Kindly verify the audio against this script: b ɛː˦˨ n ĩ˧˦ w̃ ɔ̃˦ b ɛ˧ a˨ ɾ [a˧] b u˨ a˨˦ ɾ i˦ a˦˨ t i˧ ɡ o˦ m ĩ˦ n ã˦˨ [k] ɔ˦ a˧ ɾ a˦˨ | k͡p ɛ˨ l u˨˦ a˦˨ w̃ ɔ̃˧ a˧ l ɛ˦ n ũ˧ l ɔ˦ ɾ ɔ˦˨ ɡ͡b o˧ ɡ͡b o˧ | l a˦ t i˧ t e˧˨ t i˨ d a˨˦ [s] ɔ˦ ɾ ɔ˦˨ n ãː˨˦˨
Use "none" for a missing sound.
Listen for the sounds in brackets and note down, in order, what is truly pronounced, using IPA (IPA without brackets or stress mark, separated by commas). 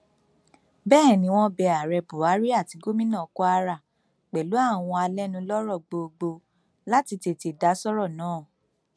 ɛ˧, k, s